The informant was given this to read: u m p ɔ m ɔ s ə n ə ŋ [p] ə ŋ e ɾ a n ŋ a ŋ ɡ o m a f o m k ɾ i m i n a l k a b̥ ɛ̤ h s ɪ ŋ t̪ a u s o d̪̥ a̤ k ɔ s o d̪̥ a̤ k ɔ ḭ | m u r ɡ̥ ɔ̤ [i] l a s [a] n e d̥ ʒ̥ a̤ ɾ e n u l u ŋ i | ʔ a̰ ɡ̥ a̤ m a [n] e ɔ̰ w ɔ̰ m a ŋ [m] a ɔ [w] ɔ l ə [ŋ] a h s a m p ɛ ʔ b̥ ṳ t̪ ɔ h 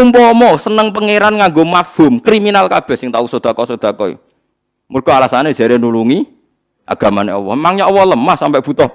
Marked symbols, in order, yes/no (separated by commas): yes, no, yes, yes, no, yes, no